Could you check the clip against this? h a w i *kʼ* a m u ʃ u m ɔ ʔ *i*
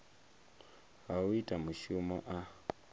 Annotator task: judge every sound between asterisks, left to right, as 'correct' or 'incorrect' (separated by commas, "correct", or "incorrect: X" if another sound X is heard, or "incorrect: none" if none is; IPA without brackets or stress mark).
incorrect: tʼ, incorrect: a